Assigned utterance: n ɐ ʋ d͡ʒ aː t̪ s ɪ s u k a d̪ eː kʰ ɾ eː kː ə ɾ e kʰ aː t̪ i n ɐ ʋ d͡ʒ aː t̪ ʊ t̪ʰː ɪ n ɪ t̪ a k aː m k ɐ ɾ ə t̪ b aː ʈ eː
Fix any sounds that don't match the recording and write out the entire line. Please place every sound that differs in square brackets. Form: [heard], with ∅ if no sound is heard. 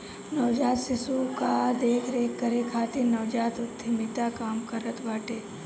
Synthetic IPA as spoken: n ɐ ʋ d͡ʒ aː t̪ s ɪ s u k a d̪ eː kʰ ɾ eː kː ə ɾ e kʰ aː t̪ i n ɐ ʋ d͡ʒ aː t̪ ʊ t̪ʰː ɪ [m] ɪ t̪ a k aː m k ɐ ɾ ə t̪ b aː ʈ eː